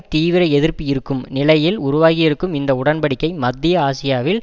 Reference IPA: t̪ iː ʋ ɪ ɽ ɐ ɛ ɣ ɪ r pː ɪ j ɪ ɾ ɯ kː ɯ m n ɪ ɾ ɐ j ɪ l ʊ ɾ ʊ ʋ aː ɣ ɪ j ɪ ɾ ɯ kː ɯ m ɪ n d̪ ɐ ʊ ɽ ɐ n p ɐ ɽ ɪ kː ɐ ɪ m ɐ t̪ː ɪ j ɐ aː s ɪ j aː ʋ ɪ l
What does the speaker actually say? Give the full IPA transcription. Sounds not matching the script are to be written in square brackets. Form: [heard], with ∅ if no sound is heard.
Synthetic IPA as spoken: t̪ iː ʋ ɪ [ɾ] ɐ ɛ [ð] ɪ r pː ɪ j ɪ ɾ ɯ kː ɯ m n ɪ [l] ɐ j ɪ l ʊ ɾ ʊ ʋ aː ɣ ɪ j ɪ ɾ ɯ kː ɯ m ɪ n d̪ ɐ ʊ ɽ ɐ n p ɐ ɽ ɪ kː ɐ ɪ m ɐ [d̪ː] ɪ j ɐ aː s ɪ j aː ʋ ɪ l

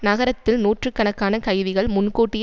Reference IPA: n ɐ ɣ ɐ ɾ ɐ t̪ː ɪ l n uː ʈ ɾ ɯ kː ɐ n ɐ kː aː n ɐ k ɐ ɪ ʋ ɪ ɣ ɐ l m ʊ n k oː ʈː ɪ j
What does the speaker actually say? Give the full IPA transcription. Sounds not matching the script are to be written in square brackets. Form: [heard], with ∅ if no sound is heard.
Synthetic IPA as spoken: n ɐ ɣ ɐ ɾ ɐ t̪ː ɪ l n uː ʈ [r] ɯ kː ɐ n ɐ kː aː n ɐ k ɐ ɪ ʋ ɪ ɣ ɐ [ɭ] m ʊ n k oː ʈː ɪ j

